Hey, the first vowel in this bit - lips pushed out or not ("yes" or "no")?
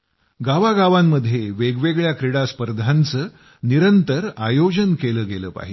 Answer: no